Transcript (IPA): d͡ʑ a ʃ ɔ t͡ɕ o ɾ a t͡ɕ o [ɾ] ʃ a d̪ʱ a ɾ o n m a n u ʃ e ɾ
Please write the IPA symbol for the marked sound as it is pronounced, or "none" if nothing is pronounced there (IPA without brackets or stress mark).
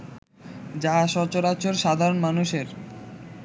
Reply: ɾ